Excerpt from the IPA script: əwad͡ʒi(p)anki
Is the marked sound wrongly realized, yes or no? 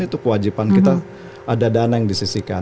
no